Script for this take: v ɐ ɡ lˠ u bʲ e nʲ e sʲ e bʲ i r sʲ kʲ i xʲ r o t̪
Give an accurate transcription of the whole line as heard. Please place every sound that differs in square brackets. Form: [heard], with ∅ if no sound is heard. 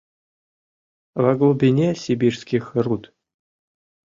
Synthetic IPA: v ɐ ɡ lˠ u bʲ [i] nʲ e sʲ [i] bʲ i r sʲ kʲ i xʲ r [u] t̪